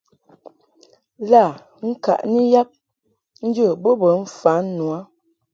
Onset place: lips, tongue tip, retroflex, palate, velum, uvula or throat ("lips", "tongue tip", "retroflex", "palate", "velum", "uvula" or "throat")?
tongue tip